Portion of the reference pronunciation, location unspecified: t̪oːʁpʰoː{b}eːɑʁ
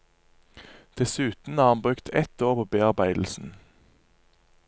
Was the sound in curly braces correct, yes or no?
yes